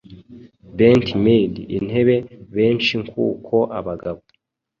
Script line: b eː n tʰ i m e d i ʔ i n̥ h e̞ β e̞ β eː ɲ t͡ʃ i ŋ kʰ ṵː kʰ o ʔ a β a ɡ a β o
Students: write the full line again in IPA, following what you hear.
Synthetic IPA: b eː n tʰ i m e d i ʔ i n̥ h e̞ β e̞ β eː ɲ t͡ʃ i ŋ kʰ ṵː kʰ o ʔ a β a ɡ a β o

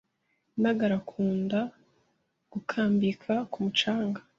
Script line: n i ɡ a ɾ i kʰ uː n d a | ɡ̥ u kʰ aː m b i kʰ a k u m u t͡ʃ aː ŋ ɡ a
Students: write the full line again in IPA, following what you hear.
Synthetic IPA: n a ɡ a ɾ a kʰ uː n d a | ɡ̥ u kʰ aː m b i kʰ a k u m u t͡ʃ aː ŋ ɡ a

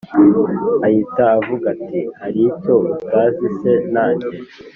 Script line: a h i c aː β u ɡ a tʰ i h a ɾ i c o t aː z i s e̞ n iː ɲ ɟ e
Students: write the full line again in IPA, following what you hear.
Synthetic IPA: a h i t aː v u ɡ a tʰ i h a ɾ i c o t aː z i s e̞ n aː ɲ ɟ e

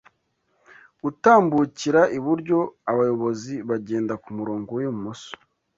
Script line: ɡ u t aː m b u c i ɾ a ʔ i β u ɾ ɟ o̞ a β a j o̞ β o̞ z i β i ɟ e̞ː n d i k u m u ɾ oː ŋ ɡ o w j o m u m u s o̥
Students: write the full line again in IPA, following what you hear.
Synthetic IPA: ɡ u t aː m b u c i ɾ a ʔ i β u ɾ ɟ o̞ a β a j o̞ β o̞ z i β a ɟ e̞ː n d a k u m u ɾ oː ŋ ɡ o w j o m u m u s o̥

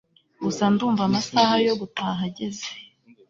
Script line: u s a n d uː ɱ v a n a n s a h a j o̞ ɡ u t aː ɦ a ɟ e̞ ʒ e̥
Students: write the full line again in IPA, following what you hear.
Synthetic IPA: u s a n d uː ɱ v a m a s a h a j o̞ ɡ u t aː ɦ a ɟ e̞ z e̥

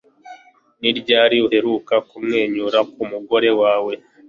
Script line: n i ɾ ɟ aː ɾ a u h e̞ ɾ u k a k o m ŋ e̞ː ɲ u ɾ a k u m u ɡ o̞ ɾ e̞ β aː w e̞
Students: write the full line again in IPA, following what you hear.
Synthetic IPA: n i ɾ ɟ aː ɾ i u h e̞ ɾ u k a k u m ŋ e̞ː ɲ u ɾ a k u m u ɡ o̞ ɾ e̞ w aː w e̞

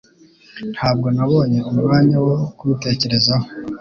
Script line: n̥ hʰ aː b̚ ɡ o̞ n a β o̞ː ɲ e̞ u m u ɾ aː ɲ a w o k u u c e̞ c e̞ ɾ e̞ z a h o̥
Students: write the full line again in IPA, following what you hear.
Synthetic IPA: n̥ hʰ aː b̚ ɡ o̞ n a β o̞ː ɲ e̞ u m u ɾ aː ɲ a w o k u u t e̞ c e̞ ɾ e̞ z a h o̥

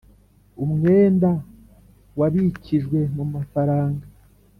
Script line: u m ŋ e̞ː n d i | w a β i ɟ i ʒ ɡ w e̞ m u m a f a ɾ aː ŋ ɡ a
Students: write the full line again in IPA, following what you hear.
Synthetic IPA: u m ŋ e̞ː n d a | w a β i c i ʒ ɡ w e̞ m u m a f a ɾ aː ŋ ɡ a

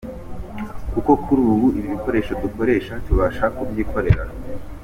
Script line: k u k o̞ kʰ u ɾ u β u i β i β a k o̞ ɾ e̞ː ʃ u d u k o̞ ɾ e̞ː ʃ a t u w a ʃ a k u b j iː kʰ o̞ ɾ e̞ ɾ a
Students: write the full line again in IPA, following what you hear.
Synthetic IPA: k u k o̞ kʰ u ɾ uː β u i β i β i k o̞ ɾ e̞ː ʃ o d u k o̞ ɾ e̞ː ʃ a t u β a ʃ a k u b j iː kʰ o̞ ɾ e̞ ɾ a

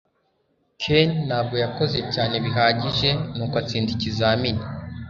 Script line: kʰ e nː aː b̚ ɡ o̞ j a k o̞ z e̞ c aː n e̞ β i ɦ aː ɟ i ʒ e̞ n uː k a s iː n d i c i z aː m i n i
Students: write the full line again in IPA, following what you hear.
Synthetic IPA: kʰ e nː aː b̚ ɡ o̞ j a k o̞ z e̞ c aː n e̞ β i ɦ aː ɟ i ʒ e̞ n uː k a t͡s iː n d i c i z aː m i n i

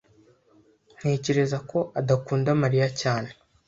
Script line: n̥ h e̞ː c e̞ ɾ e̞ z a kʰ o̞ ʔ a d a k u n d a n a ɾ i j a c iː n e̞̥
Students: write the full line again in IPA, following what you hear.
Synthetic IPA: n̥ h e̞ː c e̞ ɾ e̞ z a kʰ o̞ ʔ a d a k uː n d a m a ɾ i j a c aː n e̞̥

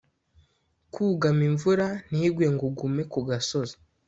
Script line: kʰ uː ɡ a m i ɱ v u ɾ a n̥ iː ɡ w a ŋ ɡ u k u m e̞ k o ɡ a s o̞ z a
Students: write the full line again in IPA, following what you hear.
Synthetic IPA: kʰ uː ɡ a m i ɱ v u ɾ a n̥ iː ɡ w e ŋ ɡ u ɡ u m e̞ k u ɡ a s o̞ z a

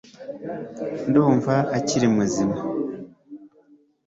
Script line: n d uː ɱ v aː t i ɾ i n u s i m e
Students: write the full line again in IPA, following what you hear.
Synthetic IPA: n d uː ɱ v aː c i ɾ i m u z i m a

